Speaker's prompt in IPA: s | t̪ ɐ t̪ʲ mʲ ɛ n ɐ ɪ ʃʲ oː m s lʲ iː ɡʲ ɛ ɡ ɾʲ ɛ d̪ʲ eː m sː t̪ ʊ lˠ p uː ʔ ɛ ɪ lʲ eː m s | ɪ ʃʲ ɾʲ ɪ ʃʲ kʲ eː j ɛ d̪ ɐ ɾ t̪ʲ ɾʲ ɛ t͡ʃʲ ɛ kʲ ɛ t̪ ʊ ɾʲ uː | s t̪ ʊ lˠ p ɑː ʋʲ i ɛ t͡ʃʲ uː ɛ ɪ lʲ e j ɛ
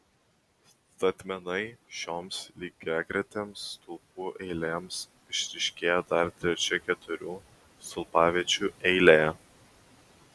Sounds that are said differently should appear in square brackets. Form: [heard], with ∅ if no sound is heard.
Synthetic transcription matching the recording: s | t̪ ɐ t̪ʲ mʲ ɛ n ɐ ɪ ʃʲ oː m s lʲ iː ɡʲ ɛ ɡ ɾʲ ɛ [t̪ʲ] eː m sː t̪ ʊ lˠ p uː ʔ ɛ ɪ lʲ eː m s | ɪ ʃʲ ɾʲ ɪ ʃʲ kʲ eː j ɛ d̪ ɐ ɾ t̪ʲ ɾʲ ɛ t͡ʃʲ ɛ kʲ ɛ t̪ ʊ ɾʲ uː | s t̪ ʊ lˠ p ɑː ʋʲ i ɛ t͡ʃʲ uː ɛ ɪ lʲ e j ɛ